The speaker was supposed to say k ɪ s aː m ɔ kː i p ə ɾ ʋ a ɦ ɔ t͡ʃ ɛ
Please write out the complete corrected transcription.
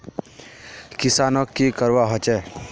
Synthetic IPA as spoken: k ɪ s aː n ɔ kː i k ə ɾ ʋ a ɦ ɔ t͡ʃ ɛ